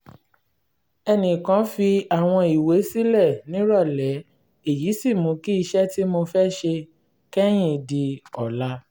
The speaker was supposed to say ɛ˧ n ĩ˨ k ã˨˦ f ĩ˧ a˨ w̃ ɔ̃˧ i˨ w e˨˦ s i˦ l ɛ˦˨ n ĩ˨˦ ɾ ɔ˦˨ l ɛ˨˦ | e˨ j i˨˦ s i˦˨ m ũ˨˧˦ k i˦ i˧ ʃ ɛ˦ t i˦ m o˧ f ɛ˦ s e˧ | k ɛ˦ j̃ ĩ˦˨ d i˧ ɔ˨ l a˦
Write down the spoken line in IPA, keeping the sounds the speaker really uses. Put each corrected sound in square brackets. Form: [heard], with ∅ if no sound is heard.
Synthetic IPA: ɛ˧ n ĩ˨ k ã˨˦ f [i˧] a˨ w̃ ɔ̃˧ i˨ w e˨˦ s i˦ l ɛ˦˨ n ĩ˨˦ ɾ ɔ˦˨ l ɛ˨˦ | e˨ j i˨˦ s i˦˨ m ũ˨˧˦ k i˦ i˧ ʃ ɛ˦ t i˦ m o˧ f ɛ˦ [ʃ] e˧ | k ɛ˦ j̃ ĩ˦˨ d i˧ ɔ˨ l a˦